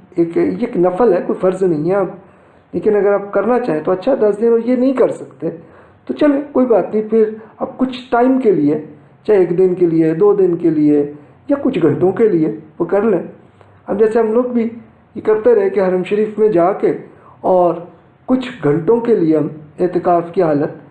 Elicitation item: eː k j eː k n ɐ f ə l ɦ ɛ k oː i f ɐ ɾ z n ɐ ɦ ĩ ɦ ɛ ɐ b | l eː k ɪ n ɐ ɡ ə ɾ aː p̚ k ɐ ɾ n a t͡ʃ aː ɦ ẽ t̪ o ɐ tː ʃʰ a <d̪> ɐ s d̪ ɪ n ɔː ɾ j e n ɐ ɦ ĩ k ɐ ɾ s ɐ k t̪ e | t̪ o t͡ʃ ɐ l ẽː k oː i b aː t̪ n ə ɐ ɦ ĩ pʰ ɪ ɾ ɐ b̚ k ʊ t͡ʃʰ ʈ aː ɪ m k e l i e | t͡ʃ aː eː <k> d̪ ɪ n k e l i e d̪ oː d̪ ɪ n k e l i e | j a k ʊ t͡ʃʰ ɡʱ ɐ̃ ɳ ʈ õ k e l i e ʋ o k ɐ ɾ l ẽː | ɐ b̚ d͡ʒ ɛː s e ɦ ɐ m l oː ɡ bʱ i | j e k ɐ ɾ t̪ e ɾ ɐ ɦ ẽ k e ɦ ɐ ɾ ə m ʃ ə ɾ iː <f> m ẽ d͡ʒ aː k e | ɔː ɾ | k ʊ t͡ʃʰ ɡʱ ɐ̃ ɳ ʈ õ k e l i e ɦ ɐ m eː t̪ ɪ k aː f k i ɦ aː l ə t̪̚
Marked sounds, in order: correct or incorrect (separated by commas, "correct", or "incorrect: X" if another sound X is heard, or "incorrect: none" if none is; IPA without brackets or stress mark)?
correct, correct, correct